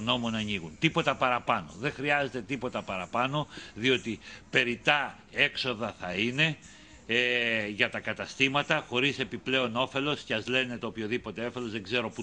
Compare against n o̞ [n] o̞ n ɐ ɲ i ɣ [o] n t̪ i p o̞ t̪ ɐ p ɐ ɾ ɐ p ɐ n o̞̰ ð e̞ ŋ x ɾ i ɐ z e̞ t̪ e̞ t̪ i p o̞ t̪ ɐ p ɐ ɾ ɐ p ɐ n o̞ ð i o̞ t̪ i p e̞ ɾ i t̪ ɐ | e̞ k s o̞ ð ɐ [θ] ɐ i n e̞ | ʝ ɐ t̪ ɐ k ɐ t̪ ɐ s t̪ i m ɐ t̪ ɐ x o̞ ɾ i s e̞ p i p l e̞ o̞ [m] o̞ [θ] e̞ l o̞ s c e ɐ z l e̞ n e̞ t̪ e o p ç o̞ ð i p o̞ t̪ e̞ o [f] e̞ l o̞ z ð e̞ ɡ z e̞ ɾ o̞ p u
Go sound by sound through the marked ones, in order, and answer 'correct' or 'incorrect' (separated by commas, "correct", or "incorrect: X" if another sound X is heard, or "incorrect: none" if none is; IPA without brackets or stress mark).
incorrect: m, incorrect: u, correct, incorrect: n, incorrect: f, correct